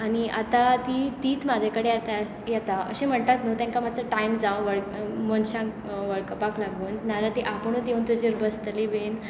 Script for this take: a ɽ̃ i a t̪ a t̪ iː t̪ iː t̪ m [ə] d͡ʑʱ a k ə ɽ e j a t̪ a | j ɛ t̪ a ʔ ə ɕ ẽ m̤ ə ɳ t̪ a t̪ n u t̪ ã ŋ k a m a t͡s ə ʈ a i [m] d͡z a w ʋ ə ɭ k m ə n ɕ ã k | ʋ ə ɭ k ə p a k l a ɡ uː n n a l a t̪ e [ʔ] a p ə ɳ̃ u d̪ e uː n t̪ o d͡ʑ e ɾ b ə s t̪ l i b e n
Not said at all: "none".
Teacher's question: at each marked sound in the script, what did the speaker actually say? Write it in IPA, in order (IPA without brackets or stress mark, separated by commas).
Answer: a, m, ʔ